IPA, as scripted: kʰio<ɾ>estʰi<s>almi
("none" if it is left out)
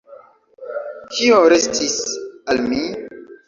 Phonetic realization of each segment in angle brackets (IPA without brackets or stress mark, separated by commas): ɾ, s